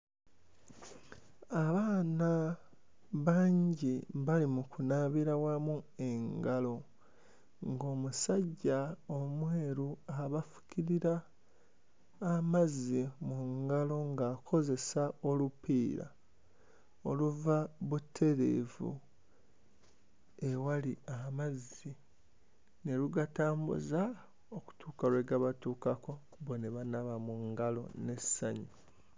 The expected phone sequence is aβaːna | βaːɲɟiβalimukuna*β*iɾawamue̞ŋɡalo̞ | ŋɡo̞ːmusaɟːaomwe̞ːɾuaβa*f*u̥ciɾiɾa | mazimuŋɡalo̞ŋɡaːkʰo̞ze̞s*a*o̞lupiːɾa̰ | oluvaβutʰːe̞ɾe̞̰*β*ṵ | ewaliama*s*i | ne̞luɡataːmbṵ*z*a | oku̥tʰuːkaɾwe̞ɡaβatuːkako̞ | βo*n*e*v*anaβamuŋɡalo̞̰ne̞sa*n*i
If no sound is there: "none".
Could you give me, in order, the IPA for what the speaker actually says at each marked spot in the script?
β, f, a, v, z, z, n, β, ɲ

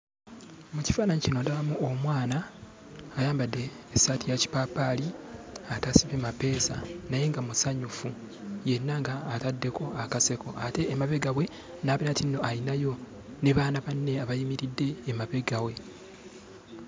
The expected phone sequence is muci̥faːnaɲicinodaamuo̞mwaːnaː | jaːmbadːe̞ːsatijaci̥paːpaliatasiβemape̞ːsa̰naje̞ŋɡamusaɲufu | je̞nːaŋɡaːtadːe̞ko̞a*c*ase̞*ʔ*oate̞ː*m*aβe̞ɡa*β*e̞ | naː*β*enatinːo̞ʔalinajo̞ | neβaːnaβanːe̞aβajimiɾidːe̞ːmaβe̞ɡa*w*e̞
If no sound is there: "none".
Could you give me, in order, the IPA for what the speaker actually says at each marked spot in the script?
k, k, m, w, β, w

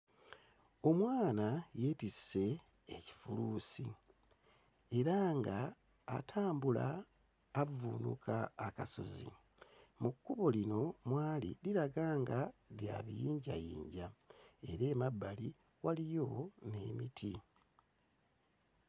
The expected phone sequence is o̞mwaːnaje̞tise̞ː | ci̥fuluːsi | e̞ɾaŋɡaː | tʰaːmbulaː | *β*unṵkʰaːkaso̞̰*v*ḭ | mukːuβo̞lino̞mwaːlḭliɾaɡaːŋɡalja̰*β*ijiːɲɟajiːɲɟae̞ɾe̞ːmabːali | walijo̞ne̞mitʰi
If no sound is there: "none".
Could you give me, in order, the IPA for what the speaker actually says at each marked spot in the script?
v, z, β

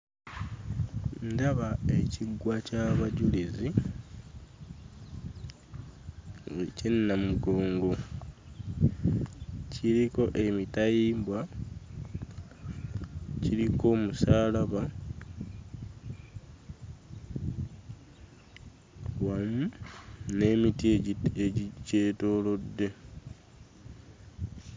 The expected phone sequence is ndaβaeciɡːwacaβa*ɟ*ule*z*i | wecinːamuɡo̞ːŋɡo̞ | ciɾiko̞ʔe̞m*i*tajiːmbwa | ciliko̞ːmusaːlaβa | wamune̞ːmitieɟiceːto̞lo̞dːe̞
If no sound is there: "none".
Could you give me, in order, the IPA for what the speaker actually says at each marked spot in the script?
ɟ, z, i

